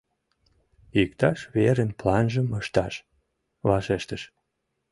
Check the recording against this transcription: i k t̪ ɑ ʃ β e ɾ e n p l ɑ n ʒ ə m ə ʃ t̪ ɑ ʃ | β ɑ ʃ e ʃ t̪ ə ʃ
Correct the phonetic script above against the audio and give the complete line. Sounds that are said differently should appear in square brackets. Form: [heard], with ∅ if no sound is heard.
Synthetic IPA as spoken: i k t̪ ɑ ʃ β e ɾ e n p l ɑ n ʒ ə m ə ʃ t̪ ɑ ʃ | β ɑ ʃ e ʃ t̪ ə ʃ